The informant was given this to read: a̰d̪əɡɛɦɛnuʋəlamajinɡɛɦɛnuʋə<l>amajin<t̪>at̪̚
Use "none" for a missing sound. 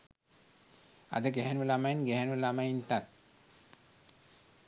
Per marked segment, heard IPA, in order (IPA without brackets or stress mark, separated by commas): l, t̪